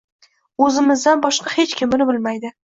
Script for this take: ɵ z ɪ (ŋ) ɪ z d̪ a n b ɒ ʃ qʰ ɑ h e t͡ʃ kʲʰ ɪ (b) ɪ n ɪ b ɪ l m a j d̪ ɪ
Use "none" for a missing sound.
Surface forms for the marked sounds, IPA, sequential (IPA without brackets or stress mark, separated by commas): m, m